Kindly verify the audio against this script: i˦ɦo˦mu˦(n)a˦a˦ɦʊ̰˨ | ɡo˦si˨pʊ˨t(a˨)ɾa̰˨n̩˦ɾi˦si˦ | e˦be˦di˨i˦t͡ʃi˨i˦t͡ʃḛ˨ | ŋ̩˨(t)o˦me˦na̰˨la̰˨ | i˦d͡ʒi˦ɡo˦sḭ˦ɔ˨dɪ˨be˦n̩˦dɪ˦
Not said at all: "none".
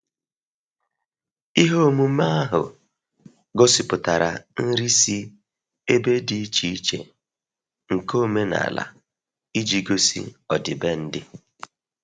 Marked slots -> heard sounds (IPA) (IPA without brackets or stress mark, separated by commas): m, a˨, k